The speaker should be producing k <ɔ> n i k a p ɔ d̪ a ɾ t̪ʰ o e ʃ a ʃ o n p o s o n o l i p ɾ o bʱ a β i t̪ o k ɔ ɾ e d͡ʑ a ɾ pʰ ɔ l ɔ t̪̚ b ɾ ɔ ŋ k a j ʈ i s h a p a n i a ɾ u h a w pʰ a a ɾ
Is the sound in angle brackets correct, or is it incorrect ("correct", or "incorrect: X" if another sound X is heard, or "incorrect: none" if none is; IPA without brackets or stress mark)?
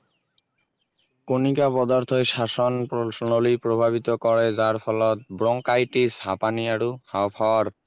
incorrect: o